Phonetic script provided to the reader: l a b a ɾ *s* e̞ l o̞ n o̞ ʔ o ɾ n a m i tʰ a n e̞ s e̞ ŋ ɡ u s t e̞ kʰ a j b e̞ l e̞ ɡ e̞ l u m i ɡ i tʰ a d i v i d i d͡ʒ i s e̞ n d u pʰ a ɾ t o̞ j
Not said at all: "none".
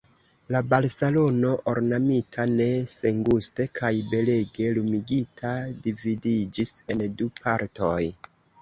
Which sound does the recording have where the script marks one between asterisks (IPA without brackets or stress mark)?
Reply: s